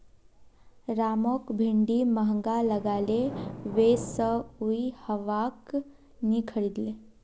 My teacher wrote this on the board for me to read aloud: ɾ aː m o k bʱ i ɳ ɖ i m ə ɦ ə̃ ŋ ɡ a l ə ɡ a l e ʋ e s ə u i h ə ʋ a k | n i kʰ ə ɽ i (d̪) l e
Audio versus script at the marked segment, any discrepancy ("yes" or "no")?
no